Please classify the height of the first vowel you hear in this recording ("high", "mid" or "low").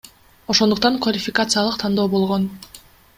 mid